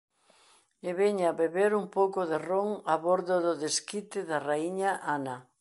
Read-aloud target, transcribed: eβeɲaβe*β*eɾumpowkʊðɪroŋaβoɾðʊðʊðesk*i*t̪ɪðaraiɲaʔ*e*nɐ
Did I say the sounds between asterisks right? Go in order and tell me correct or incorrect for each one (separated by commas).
correct, correct, incorrect